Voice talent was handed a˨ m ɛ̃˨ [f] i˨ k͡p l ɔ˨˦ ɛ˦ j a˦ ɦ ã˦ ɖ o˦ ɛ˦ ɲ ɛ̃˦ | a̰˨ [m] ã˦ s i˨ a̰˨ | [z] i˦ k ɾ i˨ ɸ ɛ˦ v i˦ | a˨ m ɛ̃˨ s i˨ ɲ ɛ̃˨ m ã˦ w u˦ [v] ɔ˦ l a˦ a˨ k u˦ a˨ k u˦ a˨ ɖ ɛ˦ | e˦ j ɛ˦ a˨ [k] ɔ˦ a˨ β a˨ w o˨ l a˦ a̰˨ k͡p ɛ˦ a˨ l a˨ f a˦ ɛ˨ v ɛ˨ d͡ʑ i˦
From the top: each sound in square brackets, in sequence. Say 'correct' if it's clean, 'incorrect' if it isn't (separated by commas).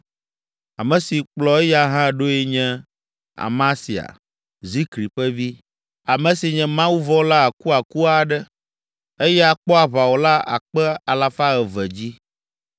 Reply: incorrect, correct, correct, correct, incorrect